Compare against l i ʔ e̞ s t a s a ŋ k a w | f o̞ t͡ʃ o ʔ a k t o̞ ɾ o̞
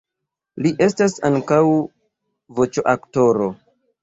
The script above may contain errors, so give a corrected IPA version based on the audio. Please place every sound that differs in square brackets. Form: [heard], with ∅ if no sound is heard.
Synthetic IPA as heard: l i ʔ e̞ s t a s a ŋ k a w | [v] o̞ t͡ʃ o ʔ a k t o̞ ɾ o̞